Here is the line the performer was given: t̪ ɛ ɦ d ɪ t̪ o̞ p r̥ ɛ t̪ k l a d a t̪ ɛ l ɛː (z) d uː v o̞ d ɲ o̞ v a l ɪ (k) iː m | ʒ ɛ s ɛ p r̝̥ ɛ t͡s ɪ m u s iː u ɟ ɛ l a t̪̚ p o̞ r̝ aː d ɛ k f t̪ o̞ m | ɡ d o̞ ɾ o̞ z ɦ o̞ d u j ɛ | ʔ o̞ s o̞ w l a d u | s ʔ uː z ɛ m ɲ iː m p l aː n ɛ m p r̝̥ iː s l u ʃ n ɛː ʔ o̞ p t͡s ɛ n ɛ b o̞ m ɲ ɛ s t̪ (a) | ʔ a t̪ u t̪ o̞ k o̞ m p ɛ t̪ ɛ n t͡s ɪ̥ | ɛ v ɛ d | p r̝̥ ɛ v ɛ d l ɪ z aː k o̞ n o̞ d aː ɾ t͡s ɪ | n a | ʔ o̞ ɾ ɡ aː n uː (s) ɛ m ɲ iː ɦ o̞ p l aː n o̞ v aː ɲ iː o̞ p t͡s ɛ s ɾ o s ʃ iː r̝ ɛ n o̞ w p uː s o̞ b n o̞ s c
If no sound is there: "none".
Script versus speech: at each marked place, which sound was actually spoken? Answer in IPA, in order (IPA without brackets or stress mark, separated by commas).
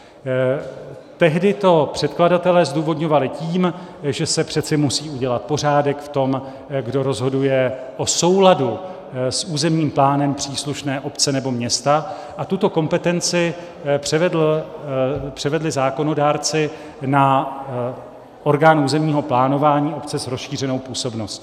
z, c, a, z